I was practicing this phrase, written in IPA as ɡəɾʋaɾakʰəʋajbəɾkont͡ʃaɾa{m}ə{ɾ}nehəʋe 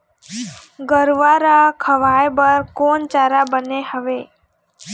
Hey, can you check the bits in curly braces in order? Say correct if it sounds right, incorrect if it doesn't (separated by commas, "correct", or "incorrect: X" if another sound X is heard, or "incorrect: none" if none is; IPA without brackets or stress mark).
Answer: incorrect: b, incorrect: none